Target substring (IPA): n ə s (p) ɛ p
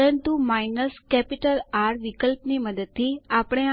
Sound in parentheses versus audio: incorrect: k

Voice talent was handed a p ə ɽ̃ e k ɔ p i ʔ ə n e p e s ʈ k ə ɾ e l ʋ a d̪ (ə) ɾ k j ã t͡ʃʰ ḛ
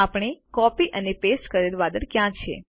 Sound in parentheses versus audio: correct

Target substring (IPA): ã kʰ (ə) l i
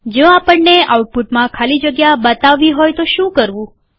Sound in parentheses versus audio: incorrect: a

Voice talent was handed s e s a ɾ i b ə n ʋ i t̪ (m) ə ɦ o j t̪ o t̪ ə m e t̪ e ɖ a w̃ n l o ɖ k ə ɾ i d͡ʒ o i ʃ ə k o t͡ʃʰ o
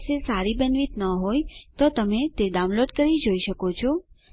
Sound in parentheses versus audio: incorrect: n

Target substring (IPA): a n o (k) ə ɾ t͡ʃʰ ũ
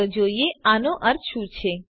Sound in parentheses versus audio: incorrect: ʔ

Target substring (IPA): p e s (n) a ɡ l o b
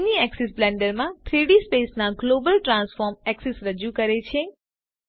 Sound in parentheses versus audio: correct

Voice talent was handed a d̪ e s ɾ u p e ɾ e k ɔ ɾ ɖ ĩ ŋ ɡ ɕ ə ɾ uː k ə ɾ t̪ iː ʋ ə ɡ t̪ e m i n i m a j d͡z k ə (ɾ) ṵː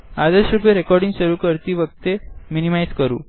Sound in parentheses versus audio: correct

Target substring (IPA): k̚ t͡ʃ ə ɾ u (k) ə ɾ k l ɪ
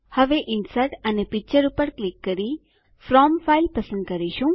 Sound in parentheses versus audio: incorrect: p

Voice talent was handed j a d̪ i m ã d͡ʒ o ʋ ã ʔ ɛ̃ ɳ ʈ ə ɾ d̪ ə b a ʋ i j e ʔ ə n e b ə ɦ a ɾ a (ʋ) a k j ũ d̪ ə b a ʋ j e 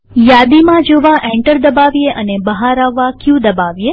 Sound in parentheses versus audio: incorrect: ʋː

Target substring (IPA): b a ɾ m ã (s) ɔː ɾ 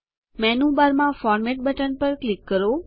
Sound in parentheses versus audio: incorrect: f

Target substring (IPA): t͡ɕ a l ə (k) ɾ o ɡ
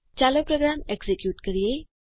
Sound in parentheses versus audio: incorrect: p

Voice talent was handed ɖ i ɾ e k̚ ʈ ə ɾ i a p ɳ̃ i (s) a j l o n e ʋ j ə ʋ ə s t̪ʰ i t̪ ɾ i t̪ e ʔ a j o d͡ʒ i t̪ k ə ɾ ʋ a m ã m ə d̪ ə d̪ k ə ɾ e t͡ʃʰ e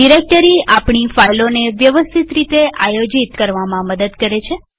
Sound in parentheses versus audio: incorrect: f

